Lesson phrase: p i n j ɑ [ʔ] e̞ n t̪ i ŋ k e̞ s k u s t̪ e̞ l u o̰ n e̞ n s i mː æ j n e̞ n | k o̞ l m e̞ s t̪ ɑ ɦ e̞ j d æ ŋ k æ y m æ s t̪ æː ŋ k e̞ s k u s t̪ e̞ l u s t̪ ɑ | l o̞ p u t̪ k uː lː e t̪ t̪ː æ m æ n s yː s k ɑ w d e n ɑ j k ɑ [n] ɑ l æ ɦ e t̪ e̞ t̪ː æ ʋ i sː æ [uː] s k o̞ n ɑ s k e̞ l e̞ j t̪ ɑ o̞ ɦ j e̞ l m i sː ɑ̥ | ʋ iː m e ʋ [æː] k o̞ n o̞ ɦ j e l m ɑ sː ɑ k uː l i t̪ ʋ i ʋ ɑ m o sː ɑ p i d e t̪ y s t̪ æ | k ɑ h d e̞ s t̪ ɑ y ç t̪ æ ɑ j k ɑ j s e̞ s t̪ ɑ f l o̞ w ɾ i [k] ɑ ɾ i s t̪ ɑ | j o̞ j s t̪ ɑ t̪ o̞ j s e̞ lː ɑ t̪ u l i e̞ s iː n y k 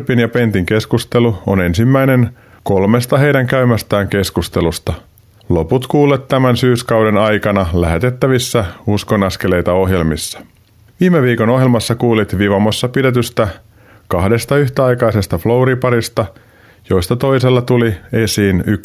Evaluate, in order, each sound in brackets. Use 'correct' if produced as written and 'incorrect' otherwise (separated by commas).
incorrect, correct, incorrect, incorrect, incorrect